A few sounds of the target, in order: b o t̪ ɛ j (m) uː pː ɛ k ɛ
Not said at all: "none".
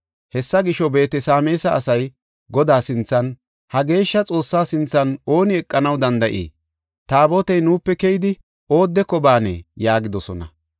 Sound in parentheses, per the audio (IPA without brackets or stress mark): n